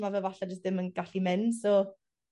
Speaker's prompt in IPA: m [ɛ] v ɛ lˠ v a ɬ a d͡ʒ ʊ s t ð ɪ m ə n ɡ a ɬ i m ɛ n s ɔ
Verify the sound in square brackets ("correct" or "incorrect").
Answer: incorrect